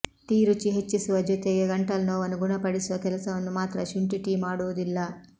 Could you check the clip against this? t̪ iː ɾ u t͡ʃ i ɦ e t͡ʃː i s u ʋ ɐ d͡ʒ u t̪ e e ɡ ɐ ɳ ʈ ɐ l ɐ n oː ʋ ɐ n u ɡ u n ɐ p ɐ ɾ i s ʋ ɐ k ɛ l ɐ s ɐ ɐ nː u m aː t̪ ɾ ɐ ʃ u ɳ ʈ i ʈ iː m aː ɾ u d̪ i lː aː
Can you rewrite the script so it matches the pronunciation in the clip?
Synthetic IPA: t̪ iː ɾ u t͡ʃ i ɦ e t͡ʃː i s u ʋ ɐ d͡ʒ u t̪ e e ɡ ɐ ɳ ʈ ɐ l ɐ n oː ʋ ɐ n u ɡ u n ɐ p ɐ ɽ i s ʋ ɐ k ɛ l ɐ s ɐ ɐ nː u m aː t̪ ɾ ɐ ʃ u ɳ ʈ i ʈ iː m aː ɽ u d̪ i lː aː

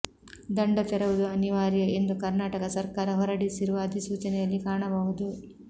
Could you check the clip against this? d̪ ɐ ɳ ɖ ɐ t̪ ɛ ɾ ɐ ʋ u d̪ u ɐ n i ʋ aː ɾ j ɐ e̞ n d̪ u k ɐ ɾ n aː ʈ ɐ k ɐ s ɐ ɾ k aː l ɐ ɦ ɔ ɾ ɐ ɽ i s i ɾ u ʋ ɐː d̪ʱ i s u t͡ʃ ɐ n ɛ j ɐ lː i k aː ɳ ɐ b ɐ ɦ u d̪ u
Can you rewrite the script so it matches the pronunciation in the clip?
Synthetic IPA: d̪ ɐ ɳ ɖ ɐ t̪ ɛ ɾ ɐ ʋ u d̪ u ɐ n i ʋ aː ɾ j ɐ e̞ n d̪ u k ɐ ɾ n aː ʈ ɐ k ɐ s ɐ ɾ k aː ɾ ɐ ɦ ɔ ɾ ɐ ɽ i s i ɾ u ʋ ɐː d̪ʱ i s uː t͡ʃ ɐ n ɛ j ɐ lː i k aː ɳ ɐ b ɐ ɦ u d̪ u

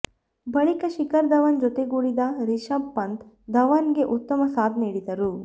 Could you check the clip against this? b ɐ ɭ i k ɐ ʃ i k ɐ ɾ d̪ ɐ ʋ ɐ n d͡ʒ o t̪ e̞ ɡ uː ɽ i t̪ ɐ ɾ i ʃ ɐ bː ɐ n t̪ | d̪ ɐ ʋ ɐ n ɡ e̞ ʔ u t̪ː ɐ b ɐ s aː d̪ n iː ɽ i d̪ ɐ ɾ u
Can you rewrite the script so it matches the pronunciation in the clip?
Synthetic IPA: b ɐ ɭ i k ɐ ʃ i k ɐ ɾ d̪ ɐ ʋ ɐ n d͡ʒ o t̪ e̞ ɡ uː ɽ i d̪ ɐ ɾ i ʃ ɐ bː ɐ n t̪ | d̪ ɐ ʋ ɐ n ɡ e̞ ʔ u t̪ː ɐ m ɐ s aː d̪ n iː ɽ i d̪ ɐ ɾ u

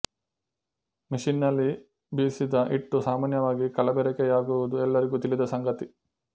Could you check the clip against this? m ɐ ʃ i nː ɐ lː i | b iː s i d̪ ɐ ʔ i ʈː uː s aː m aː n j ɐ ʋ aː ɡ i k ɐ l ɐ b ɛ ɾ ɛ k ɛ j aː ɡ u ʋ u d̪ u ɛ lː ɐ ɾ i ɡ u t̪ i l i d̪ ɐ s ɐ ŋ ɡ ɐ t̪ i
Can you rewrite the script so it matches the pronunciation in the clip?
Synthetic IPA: m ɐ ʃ i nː ɐ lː i | b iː s i d̪ ɐ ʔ i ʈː u s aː m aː n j ɐ ʋ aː ɡ i k ɐ l ɐ b ɛ ɾ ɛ k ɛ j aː ɡ u ʋ u d̪ u ɛ lː ɐ ɾ i ɡ u t̪ i l i d̪ ɐ s ɐ ŋ ɡ ɐ t̪ i

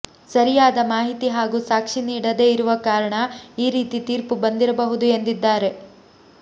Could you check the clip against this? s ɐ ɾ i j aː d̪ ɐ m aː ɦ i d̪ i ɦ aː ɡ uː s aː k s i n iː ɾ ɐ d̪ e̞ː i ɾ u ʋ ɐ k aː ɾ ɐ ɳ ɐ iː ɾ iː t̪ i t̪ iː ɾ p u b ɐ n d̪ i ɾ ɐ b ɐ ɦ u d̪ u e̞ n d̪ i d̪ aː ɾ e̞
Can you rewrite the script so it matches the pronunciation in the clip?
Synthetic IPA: s ɐ ɾ i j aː d̪ ɐ m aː ɦ i t̪ i ɦ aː ɡ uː s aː k ʂ i n iː ɽ ɐ d̪ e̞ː i ɾ u ʋ ɐ k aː ɾ ɐ ɳ ɐ iː ɾ iː t̪ i t̪ iː ɾ p u b ɐ n d̪ i ɾ ɐ b ɐ ɦ u d̪ u e̞ n d̪ i d̪ː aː ɾ e̞

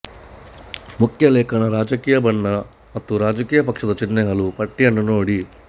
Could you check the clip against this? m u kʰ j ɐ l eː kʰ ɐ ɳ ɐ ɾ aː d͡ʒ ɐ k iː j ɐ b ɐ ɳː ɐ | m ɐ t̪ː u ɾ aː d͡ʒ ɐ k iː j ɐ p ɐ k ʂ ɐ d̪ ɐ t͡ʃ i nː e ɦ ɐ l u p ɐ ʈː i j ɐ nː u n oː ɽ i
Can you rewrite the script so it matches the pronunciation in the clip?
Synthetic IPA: m u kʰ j ɐ l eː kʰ ɐ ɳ ɐ ɾ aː d͡ʒ ɐ k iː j ɐ b ɐ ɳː ɐ | m ɐ t̪ː u ɾ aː d͡ʒ ɐ k iː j ɐ p ɐ k ʂ ɐ d̪ ɐ t͡ʃ i nː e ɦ ɐ l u p ɐ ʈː i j ɐ nː u n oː ɽ i

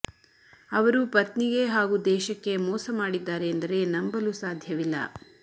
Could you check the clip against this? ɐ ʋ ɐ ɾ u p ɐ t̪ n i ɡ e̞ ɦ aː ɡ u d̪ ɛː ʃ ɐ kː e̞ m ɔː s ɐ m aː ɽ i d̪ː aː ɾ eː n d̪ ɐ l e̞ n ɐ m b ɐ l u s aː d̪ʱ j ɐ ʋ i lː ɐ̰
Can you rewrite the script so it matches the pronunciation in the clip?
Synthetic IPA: ɐ ʋ ɐ ɾ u p ɐ t̪ n i ɡ e̞ ɦ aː ɡ u d̪ ɛː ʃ ɐ kː e̞ m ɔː s ɐ m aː ɽ i d̪ː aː ɾ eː n d̪ ɐ ɾ e̞ n ɐ m b ɐ l u s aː d̪ʱ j ɐ ʋ i lː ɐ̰

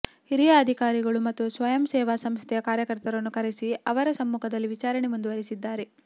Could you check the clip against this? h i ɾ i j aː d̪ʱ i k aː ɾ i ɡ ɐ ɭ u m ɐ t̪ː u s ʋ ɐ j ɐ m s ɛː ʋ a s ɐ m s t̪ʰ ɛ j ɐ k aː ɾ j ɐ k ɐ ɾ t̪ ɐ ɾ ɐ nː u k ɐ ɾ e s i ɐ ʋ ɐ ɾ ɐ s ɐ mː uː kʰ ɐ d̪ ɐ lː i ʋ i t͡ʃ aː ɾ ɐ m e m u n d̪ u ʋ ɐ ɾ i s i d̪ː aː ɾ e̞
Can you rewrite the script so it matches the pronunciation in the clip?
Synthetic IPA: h i ɾ i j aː d̪ʱ i k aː ɾ i ɡ ɐ ɭ u m ɐ t̪ː u s ʋ ɐ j ɐ m s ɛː ʋ a s ɐ m s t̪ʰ ɛ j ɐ k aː ɾ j ɐ k ɐ ɾ t̪ ɐ ɾ ɐ nː u k ɐ ɾ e s i ɐ ʋ ɐ ɾ ɐ s ɐ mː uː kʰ ɐ d̪ ɐ lː i ʋ i t͡ʃ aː ɾ ɐ ɳ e m u n d̪ u ʋ ɐ ɾ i s i d̪ː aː ɾ e̞

